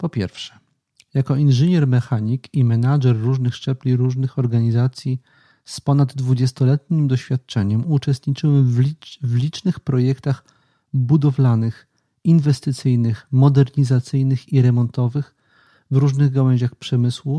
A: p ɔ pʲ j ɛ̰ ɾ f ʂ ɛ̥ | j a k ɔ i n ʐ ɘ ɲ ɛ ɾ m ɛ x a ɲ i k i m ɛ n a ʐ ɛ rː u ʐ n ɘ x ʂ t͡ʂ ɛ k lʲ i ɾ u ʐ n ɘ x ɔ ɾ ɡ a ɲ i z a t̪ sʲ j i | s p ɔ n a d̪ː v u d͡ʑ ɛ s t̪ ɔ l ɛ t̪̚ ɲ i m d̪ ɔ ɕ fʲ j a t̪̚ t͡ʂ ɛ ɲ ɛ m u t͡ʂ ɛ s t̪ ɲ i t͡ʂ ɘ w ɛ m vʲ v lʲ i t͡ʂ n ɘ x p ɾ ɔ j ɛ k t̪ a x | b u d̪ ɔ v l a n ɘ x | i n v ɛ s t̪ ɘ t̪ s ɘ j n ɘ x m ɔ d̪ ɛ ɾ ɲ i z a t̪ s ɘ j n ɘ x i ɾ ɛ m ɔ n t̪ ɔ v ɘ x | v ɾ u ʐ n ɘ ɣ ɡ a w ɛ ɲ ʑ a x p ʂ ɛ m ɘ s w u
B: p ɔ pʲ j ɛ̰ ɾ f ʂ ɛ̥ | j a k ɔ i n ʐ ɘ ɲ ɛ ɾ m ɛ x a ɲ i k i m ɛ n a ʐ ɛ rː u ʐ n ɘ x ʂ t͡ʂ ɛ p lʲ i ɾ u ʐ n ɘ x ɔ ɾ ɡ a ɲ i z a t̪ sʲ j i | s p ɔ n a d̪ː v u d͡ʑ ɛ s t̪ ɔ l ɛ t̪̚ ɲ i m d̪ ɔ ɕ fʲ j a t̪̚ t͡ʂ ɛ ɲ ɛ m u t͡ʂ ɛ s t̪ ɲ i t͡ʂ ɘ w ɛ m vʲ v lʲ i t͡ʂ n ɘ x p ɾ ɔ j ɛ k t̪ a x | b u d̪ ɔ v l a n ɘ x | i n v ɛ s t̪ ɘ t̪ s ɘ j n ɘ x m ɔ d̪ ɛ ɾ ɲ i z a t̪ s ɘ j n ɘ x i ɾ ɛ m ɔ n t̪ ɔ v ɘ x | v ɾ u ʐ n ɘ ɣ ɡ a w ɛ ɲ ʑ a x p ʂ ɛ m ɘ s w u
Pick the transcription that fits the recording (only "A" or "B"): B